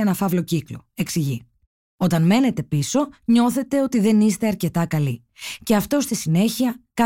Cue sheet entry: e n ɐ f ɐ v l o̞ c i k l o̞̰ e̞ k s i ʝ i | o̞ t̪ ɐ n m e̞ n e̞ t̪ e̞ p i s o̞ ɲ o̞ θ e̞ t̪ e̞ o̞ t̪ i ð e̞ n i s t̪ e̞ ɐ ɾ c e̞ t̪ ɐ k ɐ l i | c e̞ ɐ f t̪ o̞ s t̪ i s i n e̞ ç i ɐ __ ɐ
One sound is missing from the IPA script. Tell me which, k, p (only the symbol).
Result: k